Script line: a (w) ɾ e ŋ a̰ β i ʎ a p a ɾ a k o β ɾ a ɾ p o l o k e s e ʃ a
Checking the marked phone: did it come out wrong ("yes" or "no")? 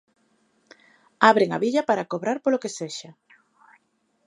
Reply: yes